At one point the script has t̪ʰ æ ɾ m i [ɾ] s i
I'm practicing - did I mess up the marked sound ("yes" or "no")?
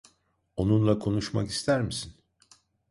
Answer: yes